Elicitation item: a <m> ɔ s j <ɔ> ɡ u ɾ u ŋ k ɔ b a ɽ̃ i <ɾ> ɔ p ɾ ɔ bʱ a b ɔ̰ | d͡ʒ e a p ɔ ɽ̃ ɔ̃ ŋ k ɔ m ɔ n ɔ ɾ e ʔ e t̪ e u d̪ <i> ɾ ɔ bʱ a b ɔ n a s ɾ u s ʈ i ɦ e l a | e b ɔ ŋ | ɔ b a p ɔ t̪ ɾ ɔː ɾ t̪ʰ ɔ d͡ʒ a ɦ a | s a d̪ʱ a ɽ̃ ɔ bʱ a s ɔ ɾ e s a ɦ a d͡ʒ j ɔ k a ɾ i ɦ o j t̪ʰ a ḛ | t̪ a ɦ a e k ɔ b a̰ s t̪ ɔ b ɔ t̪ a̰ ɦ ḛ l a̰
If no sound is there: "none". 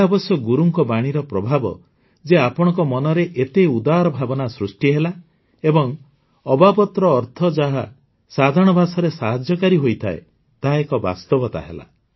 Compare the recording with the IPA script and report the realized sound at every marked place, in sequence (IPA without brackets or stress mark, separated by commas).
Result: b, ɔ, ɾ, a